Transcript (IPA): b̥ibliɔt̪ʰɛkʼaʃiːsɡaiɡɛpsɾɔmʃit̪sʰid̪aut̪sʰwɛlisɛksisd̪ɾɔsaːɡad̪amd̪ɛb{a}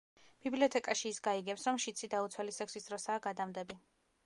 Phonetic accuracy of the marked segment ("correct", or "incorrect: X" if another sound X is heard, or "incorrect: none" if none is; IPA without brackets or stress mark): incorrect: i